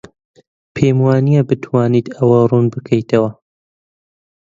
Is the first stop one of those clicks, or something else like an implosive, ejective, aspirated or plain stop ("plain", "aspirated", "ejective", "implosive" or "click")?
aspirated